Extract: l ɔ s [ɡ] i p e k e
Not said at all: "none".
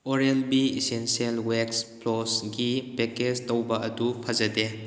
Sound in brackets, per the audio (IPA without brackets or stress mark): ɡ